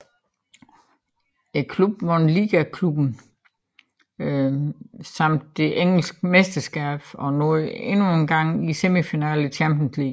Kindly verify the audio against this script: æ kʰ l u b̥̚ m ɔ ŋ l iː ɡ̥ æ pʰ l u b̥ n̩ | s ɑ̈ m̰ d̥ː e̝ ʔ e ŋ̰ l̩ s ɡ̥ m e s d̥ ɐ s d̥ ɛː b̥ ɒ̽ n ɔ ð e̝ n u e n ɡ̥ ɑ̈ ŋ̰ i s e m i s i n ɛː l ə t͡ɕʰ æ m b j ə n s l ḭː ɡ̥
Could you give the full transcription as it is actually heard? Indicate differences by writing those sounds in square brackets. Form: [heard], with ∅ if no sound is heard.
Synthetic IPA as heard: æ kʰ l u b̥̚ m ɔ [n] l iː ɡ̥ æ [kʰ] l u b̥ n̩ | s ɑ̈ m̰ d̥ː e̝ ʔ e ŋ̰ l̩ s ɡ̥ m e s d̥ ɐ s [ɡ̥] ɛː b̥ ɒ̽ n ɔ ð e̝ n u e n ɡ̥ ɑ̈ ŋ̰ i s e m i [f] i n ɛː l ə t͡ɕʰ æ m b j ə n s l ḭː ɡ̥